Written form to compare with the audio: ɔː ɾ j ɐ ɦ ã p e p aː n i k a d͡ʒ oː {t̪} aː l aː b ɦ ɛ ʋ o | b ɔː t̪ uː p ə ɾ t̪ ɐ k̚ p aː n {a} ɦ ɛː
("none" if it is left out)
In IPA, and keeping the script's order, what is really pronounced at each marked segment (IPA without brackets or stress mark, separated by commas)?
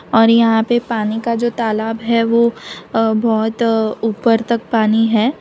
t̪, i